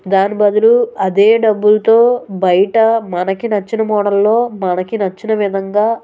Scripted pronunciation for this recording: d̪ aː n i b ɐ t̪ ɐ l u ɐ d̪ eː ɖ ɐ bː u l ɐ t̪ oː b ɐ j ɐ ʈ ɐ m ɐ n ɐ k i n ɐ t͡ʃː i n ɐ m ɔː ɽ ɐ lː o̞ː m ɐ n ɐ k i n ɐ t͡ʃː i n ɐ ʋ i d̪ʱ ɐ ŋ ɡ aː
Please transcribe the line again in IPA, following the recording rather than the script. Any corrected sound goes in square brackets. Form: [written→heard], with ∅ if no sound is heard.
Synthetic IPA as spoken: d̪ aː n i b ɐ [t̪→d̪] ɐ l u ɐ d̪ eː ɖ ɐ bː u l ɐ t̪ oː b ɐ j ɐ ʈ ɐ m ɐ n ɐ k i n ɐ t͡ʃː i n ɐ m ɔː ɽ ɐ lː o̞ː m ɐ n ɐ k i n ɐ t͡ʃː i n ɐ ʋ i d̪ʱ ɐ ŋ ɡ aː